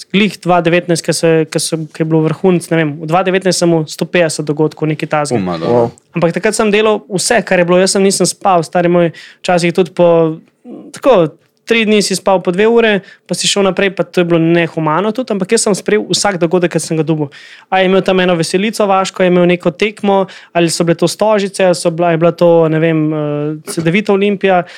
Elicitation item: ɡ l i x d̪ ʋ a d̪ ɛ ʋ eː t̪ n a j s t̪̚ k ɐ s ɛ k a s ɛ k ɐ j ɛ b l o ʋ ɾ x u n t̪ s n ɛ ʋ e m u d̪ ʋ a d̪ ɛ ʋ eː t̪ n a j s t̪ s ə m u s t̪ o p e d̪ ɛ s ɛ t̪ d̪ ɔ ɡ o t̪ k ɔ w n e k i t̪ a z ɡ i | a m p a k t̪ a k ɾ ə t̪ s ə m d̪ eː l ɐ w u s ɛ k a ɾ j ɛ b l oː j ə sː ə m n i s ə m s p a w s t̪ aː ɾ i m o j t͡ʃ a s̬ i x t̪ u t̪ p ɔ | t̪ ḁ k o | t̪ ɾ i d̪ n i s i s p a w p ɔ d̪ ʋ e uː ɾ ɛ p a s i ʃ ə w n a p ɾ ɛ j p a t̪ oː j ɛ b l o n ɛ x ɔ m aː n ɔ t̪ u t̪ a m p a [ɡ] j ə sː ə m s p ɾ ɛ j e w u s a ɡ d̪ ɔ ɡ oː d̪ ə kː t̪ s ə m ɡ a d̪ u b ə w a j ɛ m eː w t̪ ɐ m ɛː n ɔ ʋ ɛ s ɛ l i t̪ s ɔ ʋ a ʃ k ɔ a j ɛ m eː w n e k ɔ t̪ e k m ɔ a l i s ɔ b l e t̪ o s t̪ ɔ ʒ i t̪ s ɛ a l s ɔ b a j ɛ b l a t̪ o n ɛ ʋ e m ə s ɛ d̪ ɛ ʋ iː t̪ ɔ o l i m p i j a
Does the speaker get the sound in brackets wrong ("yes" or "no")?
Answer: yes